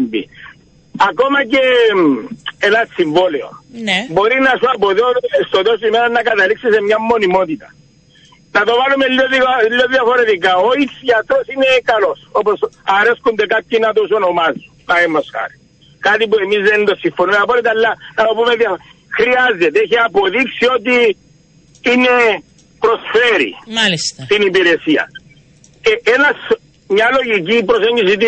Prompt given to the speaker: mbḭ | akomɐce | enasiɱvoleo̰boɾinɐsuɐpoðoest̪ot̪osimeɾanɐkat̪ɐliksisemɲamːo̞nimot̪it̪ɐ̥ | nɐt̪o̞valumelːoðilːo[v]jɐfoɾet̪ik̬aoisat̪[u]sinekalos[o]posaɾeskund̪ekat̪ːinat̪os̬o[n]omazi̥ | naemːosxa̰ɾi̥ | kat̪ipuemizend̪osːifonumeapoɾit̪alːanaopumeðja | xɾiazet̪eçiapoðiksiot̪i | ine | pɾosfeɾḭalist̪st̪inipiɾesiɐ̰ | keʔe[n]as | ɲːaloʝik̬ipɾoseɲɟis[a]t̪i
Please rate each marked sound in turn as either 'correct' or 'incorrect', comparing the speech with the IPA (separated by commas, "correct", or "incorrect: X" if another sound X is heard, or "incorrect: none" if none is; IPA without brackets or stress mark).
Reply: incorrect: ð, incorrect: o, correct, correct, correct, incorrect: i